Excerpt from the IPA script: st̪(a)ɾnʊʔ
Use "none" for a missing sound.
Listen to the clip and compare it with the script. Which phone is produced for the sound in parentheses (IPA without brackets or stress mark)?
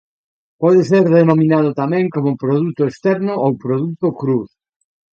ɛ